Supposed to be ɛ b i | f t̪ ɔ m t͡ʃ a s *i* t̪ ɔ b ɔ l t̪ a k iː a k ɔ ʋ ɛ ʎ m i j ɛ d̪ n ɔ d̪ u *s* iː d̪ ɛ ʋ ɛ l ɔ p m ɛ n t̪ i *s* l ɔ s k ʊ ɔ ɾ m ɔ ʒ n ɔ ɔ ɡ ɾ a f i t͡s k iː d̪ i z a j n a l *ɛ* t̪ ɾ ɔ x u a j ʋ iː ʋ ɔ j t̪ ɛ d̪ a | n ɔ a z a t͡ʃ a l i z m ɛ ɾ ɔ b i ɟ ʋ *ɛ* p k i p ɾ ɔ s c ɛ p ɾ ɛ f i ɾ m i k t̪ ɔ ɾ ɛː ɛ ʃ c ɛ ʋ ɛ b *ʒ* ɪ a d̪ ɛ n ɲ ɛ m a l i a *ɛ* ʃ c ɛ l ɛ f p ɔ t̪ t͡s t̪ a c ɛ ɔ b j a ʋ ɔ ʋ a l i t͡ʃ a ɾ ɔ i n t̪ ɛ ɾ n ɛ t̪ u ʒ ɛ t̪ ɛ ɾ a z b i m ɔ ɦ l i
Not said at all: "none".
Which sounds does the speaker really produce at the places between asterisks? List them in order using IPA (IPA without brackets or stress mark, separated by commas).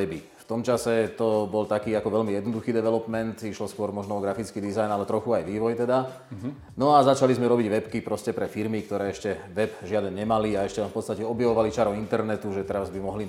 ɛ, x, ʃ, ɛ, ɛ, ʒ, ɛ